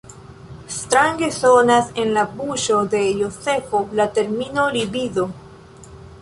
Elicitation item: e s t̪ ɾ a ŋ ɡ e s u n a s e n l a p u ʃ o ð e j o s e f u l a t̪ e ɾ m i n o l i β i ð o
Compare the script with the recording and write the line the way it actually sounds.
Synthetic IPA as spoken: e s t̪ ɾ a ŋ ɡ e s o n a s e n l a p u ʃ o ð e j o s e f o l a t̪ e ɾ m i n o l i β i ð o

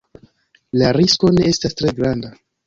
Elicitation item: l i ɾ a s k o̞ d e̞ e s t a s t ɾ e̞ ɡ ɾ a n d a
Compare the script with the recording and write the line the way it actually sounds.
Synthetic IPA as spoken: l a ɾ i s k o̞ n e̞ e s t a s t ɾ e̞ ɡ ɾ a n d a

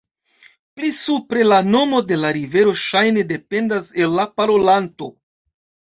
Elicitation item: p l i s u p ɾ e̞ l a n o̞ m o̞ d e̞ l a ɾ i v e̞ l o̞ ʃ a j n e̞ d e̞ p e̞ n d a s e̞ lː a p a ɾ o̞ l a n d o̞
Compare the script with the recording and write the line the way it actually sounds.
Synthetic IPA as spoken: p l i s u p ɾ e̞ l a n o̞ m o̞ d e̞ l a ɾ i v e̞ ɾ o̞ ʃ a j n e̞ d e̞ p e̞ n d a s e̞ lː a p a ɾ o̞ l a n t o̞

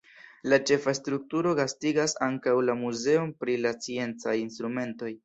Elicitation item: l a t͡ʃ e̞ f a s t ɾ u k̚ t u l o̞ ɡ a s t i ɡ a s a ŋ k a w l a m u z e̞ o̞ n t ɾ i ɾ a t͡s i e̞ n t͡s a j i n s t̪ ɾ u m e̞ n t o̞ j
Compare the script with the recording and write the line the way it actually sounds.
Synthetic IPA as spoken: l a t͡ʃ e̞ f a s t ɾ u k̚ t u ɾ o̞ ɡ a s t i ɡ a s a ŋ k a w l a m u z e̞ o̞ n p ɾ i l a t͡s i e̞ n t͡s a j i n s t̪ ɾ u m e̞ n t o̞ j

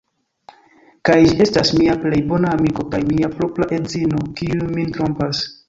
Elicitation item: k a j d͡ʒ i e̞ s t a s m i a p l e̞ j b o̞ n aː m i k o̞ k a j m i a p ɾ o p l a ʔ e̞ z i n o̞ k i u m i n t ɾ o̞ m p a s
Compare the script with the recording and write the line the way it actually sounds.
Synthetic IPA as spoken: k a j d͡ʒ i e̞ s t a s m i a p l e̞ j b o̞ n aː m i k o̞ k a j m i a p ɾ o p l a ʔ e̞ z i n o̞ k i u m i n t ɾ o̞ m p a s

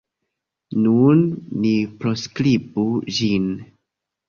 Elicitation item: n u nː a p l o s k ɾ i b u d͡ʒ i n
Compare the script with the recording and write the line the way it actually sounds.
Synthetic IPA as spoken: n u nː i p ɾ o s k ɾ i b u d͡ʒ i n

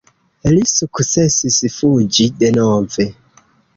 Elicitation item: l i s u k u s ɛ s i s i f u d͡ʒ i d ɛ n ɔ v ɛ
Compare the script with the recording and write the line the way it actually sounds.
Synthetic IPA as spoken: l i s u k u s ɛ s i s i f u d͡ʒ i d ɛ n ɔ v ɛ

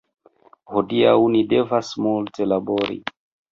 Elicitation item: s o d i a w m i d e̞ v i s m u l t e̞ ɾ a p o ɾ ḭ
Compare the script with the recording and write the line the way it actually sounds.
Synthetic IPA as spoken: h o d i a w n i d e̞ v a s m u l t e̞ l a b o ɾ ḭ

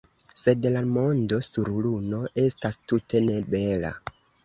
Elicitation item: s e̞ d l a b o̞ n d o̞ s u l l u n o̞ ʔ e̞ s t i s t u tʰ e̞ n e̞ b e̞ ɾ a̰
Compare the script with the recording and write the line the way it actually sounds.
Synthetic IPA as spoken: s e̞ d l a m o̞ n d o̞ s u ɾ l u n o̞ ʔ e̞ s t a s t u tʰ e̞ n e̞ b e̞ l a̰

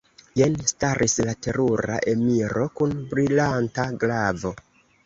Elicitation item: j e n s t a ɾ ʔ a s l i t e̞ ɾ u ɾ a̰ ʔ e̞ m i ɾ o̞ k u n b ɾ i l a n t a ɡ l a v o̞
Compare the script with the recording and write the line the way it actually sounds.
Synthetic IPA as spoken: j e n s t a ɾ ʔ i s l a t e̞ ɾ u ɾ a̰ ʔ e̞ m i ɾ o̞ k u n b ɾ i l a n t a ɡ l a v o̞

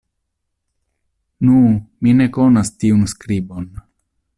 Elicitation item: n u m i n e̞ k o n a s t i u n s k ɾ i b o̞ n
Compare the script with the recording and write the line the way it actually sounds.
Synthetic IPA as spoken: n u m i n e̞ k o n a s t i u n s k ɾ i b o̞ n

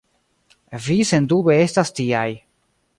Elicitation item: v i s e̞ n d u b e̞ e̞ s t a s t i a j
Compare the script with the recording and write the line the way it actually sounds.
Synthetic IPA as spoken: v i s e̞ n d u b e̞ e̞ s t a s t i a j

